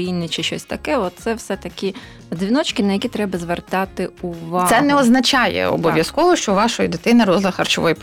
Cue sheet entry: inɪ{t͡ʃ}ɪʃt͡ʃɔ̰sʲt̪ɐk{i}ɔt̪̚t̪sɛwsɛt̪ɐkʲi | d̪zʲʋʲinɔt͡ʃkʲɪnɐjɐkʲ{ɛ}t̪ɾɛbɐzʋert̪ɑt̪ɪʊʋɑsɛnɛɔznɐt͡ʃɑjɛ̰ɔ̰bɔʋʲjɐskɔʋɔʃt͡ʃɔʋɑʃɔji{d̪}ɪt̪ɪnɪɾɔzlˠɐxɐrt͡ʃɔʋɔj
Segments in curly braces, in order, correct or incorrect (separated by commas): correct, incorrect, incorrect, correct